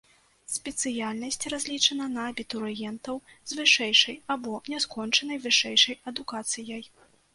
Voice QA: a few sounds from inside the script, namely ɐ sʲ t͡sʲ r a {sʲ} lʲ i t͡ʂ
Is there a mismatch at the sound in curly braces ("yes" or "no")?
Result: yes